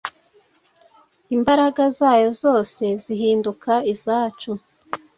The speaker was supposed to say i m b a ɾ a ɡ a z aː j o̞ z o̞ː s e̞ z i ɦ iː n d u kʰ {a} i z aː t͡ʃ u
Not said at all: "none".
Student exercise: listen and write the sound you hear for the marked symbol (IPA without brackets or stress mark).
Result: a